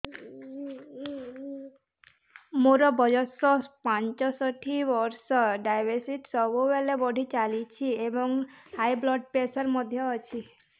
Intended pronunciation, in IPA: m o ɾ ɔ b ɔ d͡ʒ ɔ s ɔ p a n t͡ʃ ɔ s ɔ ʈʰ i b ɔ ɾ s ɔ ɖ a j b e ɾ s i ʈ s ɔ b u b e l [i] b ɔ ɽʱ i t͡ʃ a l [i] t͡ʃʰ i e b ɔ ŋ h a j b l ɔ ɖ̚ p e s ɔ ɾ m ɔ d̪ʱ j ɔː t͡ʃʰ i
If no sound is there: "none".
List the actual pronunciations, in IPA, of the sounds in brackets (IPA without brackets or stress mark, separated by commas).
e, i